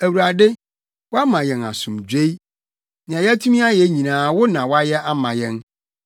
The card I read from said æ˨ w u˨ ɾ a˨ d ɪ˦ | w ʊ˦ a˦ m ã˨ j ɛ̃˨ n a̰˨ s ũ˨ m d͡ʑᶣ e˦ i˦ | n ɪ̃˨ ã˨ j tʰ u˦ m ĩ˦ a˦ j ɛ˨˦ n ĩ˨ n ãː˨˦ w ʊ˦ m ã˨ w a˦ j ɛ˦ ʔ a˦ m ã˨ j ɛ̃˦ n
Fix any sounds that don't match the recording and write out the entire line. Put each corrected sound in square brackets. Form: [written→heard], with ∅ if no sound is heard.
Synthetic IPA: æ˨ w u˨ ɾ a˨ d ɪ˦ | w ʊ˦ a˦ m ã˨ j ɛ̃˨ n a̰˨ s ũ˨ m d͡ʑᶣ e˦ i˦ | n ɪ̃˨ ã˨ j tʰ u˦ m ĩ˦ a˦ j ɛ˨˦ [n→ɲ] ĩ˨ n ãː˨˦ w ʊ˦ [m→n] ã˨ w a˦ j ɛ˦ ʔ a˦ m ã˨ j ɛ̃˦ n

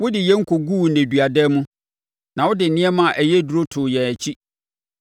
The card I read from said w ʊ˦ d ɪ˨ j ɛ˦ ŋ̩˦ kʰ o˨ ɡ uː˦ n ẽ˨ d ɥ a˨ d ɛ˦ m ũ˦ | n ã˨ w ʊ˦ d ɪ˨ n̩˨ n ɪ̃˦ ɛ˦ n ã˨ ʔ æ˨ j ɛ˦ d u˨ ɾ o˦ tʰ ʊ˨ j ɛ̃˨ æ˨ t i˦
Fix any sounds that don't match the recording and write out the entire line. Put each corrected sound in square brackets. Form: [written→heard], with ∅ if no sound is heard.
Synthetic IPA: w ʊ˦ d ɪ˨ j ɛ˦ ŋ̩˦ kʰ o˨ ɡ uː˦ n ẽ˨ d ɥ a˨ d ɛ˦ m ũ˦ | n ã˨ w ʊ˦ d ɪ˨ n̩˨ n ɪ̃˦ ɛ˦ [n→m] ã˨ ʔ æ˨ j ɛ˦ d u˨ ɾ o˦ tʰ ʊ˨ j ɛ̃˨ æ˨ [t→t͡ɕʰ] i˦

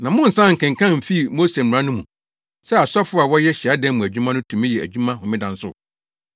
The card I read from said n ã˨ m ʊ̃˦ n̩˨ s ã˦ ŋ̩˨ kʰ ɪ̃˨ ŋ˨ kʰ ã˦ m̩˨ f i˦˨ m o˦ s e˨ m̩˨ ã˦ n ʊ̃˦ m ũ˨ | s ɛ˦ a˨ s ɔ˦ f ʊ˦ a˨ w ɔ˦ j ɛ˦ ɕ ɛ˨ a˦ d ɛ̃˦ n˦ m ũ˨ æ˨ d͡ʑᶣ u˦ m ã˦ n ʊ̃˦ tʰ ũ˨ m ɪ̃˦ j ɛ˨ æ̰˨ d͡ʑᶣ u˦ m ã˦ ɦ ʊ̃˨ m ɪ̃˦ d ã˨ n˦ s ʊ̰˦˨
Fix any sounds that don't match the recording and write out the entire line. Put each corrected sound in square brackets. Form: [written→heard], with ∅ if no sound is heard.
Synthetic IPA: n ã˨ m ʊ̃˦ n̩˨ s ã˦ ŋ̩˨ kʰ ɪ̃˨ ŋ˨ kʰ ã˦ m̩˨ f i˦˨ m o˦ s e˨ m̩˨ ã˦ n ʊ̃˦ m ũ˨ | s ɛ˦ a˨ s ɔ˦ f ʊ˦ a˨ w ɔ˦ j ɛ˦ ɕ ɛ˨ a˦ d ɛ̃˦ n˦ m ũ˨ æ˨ d͡ʑᶣ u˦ m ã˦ n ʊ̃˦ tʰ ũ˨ m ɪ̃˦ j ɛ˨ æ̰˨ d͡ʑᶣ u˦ m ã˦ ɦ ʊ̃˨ m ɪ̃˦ d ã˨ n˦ s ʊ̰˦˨

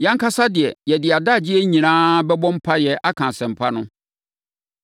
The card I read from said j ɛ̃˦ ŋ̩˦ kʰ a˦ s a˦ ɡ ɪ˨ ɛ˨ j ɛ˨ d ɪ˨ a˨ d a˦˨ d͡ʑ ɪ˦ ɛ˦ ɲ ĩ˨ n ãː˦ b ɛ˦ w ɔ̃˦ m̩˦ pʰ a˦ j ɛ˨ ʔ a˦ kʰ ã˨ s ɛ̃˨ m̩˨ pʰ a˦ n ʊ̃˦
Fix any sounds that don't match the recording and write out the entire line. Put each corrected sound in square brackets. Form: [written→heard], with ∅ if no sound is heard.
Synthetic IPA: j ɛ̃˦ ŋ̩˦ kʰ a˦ s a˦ [ɡ→d] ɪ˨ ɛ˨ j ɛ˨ d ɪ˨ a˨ d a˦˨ d͡ʑ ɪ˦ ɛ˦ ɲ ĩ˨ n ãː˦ b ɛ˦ [w→b] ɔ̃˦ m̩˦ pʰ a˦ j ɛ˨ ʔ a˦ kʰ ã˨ s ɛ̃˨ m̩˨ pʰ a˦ n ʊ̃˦

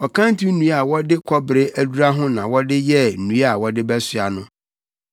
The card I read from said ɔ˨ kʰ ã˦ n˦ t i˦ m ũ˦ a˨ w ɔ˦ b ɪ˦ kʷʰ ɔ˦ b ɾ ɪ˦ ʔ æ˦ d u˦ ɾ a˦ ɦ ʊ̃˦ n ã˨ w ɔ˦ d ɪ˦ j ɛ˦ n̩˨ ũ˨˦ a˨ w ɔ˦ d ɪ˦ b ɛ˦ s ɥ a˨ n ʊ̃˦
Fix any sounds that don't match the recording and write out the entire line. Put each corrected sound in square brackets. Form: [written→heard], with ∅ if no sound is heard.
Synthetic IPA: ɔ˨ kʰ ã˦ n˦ t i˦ [m→n] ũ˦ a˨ w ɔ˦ [b→d] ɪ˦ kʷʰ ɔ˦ b ɾ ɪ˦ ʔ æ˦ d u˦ ɾ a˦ ɦ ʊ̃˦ n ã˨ w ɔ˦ d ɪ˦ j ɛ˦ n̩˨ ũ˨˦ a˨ w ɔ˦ d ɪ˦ b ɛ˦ s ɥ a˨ n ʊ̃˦

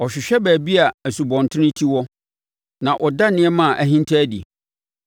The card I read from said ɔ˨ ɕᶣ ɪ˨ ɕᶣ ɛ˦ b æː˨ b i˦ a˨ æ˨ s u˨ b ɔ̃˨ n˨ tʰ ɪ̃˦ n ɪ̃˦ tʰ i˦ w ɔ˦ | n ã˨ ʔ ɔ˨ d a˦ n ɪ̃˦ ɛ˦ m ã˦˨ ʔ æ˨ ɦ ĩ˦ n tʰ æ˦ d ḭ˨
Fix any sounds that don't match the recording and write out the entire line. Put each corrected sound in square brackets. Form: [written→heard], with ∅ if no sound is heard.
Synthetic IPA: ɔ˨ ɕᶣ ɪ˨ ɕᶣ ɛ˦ b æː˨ b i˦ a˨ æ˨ s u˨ b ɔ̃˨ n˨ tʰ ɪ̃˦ n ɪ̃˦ tʰ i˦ w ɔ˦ | n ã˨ ʔ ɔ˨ d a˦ n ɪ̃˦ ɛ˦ m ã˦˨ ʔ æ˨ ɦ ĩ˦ n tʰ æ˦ d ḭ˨

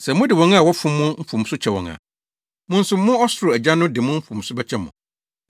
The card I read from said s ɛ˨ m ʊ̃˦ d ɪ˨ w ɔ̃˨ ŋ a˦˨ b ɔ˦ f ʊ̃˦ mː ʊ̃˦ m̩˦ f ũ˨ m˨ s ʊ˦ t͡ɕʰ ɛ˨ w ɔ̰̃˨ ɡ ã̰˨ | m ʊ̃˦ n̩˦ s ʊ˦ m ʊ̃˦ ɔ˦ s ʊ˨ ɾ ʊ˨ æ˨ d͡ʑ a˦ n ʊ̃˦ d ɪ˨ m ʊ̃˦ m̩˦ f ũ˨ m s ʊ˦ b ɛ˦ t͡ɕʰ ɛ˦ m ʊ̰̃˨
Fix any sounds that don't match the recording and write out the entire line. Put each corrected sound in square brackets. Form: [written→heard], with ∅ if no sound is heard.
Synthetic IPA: s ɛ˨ m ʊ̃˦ d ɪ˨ w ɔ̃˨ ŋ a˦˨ [b→w] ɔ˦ f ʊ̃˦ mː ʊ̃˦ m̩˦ f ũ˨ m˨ s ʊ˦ t͡ɕʰ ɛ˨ w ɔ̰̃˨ [ɡ→ŋ] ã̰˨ | m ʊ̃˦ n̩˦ s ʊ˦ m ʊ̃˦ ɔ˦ s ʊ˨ ɾ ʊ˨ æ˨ d͡ʑ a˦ n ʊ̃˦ d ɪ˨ m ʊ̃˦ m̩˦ f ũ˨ m s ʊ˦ b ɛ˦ t͡ɕʰ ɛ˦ m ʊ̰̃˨

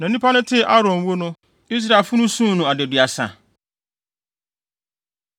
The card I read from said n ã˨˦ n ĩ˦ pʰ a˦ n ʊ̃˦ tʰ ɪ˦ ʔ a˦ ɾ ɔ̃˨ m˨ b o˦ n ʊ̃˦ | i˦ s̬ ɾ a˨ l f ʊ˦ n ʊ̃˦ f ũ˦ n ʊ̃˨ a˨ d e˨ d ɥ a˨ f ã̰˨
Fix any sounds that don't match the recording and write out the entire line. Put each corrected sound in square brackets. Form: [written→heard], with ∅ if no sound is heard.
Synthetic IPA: n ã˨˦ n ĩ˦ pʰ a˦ n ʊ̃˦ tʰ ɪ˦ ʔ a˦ ɾ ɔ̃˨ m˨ [b→w] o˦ n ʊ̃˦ | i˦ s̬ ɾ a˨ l f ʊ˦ n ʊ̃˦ [f→s] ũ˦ n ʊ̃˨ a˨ d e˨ d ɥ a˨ [f→s] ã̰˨

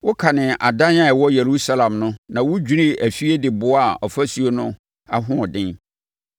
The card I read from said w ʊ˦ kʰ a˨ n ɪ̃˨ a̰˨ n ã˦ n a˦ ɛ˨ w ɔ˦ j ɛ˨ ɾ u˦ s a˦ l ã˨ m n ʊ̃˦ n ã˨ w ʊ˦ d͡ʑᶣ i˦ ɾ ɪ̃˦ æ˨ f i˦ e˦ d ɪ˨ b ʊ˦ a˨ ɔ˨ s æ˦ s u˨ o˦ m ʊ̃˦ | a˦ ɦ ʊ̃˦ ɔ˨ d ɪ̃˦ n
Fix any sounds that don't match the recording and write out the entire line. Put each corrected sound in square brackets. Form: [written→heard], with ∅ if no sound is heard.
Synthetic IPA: w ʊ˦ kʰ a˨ n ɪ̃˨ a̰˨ [n→d] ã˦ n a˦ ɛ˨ w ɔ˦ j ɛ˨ ɾ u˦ s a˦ l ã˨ m n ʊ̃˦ n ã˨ w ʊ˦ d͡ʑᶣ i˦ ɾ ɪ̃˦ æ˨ f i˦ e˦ d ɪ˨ b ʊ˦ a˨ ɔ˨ [s→f] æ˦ s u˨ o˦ [m→n] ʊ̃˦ | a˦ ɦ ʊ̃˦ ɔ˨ d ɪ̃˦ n

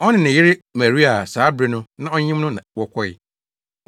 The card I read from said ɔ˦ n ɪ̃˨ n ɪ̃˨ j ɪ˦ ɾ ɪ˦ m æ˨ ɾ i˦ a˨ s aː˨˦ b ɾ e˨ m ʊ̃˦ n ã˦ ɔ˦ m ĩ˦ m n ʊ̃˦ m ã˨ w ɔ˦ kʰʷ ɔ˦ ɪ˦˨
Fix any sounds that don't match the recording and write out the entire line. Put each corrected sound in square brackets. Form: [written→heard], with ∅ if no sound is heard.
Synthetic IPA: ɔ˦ n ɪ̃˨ n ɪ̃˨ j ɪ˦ ɾ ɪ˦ m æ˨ ɾ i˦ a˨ s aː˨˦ b ɾ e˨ [m→n] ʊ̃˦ n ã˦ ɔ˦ [m→ɲ] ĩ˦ m n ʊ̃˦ [m→n] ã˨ w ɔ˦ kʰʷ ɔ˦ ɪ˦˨

